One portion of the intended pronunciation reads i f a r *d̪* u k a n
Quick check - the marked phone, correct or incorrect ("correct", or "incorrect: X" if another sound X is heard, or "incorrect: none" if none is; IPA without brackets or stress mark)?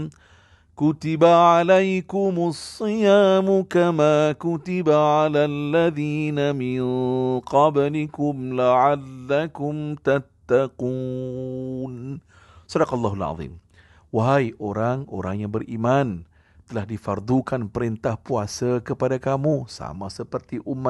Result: correct